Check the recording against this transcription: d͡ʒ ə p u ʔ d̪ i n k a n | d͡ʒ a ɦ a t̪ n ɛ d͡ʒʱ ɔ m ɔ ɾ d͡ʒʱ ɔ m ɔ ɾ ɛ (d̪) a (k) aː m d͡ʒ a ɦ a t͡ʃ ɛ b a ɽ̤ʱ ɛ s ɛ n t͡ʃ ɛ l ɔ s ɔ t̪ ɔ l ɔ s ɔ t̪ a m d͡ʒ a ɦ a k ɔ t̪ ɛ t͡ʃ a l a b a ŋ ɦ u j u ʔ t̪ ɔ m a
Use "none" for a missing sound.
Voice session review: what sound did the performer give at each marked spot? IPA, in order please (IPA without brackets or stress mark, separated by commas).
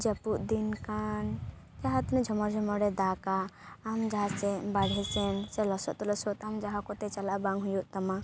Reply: d̪, k